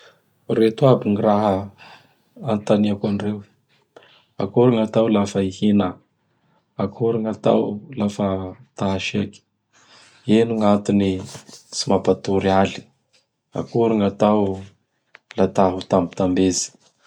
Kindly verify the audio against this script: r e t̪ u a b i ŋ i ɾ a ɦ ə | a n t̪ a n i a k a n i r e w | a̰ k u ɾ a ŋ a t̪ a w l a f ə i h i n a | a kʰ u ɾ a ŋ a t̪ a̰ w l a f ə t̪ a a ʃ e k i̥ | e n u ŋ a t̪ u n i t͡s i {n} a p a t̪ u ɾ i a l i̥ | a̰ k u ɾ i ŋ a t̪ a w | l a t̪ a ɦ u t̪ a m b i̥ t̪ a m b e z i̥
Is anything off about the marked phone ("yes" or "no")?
yes